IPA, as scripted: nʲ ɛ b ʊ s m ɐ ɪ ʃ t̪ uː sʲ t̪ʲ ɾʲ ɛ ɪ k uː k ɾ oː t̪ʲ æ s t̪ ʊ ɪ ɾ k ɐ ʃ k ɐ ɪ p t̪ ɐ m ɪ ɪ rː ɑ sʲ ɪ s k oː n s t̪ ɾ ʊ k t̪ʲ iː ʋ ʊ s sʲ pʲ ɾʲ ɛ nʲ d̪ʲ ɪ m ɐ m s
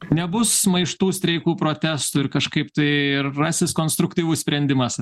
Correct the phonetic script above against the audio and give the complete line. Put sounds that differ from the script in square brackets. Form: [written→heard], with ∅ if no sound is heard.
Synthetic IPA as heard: nʲ ɛ b ʊ s m ɐ ɪ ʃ t̪ uː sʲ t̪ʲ ɾʲ ɛ ɪ k uː [k→p] ɾ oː t̪ʲ æ s t̪ ʊ ɪ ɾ k ɐ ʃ k ɐ ɪ p t̪ ɐ [m→∅] ɪ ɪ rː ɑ sʲ ɪ s k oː n s t̪ ɾ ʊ k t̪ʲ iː ʋ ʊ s sʲ pʲ ɾʲ ɛ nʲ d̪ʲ ɪ m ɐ [m→∅] s